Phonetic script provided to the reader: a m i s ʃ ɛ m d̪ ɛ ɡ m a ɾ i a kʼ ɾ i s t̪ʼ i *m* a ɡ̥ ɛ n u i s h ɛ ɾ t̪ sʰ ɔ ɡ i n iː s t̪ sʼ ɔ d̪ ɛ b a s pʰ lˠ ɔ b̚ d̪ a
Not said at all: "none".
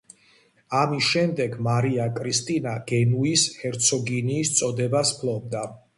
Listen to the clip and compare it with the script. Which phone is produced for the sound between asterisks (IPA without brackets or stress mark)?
n